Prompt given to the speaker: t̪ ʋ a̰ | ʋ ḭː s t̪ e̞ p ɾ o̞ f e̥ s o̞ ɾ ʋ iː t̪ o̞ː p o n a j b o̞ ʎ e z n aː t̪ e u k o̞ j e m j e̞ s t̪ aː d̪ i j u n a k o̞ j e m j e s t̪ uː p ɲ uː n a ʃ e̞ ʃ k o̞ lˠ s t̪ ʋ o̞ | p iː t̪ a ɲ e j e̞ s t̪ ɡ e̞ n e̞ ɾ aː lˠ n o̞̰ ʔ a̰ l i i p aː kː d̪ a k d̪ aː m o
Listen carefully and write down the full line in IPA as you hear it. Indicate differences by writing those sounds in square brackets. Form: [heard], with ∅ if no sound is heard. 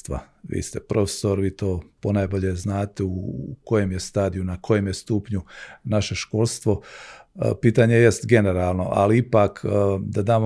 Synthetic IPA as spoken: t̪ ʋ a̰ | ʋ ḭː s t̪ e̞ p ɾ o̞ f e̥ s o̞ ɾ ʋ iː t̪ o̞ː p o n a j b o̞ ʎ e z n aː t̪ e u k o̞ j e m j e̞ s t̪ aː d̪ i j u n a k o̞ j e m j e s t̪ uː p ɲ [u] n a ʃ e̞ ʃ k o̞ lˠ s t̪ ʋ o̞ | p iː t̪ a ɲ e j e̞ s t̪ ɡ e̞ n e̞ ɾ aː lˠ n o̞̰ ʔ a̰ l i i p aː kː d̪ a [∅] d̪ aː m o